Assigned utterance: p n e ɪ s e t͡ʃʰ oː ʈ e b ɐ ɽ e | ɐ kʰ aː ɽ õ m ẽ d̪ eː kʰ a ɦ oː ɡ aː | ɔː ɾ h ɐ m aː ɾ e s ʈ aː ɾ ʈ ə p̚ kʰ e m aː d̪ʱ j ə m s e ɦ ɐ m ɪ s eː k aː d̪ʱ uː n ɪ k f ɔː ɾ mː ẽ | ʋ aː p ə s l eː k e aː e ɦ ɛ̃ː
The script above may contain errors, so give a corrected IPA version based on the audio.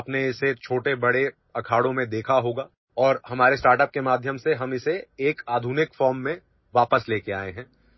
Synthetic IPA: p n e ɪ s e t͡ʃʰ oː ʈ e b ɐ ɽ e | ɐ kʰ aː ɽ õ m ẽ d̪ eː kʰ a ɦ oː ɡ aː | ɔː ɾ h ɐ m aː ɾ e s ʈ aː ɾ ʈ ə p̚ k e m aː d̪ʱ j ə m s e ɦ ɐ m ɪ s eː k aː d̪ʱ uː n ɪ k f ɔː ɾ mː ẽ | ʋ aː p ə s l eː k e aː e ɦ ɛ̃ː